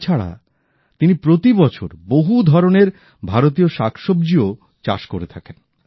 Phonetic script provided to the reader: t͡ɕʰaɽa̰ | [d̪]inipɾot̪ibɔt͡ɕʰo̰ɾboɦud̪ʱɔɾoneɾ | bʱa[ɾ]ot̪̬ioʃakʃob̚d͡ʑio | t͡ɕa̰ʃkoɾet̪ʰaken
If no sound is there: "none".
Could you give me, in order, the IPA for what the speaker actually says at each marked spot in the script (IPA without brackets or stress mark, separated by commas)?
t̪, ɾ